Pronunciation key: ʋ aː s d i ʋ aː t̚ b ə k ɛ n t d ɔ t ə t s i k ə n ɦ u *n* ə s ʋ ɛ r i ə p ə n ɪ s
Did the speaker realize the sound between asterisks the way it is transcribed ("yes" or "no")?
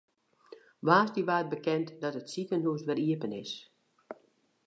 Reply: no